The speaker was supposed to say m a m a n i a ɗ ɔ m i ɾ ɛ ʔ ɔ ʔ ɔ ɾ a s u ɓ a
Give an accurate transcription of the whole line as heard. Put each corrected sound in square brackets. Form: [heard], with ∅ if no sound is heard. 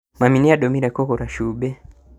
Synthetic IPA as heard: m a m [i] n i a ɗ ɔ m i ɾ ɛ [k] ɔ [k] ɔ ɾ a [ʃ] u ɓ [ɛ]

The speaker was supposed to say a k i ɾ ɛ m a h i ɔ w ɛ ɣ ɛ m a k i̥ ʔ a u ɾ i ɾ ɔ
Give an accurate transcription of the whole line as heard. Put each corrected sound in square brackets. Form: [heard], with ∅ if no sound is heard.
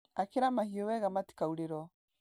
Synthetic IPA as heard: a k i ɾ [a] m a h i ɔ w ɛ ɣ [a] m a [t] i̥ [k] a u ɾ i ɾ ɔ

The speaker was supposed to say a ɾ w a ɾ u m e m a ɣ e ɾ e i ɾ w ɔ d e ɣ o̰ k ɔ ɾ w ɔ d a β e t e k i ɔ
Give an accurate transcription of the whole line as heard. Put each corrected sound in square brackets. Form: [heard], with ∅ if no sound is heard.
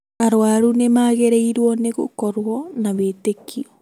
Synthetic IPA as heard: a ɾ w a ɾ u [n] e m a ɣ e ɾ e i ɾ w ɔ [n] e ɣ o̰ k ɔ ɾ w ɔ [n] a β e t e k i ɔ

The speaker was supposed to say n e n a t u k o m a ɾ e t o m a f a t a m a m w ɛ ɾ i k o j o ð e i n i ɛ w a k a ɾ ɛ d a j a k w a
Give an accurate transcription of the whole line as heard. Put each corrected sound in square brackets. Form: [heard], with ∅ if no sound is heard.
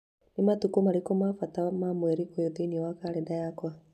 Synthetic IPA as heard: n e [m] a t u k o m a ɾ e [k] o m a f a t a m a m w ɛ ɾ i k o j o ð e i n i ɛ w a k a ɾ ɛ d a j a k w a

